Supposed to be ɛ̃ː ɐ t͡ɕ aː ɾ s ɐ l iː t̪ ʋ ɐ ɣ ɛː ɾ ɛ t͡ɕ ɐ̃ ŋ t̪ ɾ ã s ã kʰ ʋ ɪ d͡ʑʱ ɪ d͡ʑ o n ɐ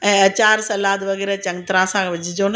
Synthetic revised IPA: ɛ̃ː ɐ t͡ɕ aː ɾ s ɐ l aː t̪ ʋ ɐ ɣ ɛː ɾ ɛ t͡ɕ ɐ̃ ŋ t̪ ɾ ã s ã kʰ ʋ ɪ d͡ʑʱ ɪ d͡ʑ o n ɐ